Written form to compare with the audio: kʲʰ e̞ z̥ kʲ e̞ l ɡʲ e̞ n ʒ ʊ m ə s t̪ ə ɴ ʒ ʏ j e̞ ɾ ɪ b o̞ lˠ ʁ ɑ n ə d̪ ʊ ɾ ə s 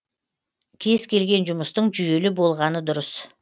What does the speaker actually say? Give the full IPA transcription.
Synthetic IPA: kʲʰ e̞ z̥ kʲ e̞ l ɡʲ e̞ n ʒ ʊ m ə s t̪ ə ɴ ʒ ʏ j e̞ l ɪ b o̞ lˠ ʁ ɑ n ə d̪ ʊ ɾ ə s